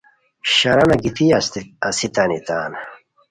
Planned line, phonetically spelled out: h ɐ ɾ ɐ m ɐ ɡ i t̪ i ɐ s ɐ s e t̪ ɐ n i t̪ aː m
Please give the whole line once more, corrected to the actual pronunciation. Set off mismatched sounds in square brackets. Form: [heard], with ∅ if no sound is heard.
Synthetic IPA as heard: [ɕ] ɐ ɾ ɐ [n] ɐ ɡ i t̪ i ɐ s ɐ s [i] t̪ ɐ n i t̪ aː [n]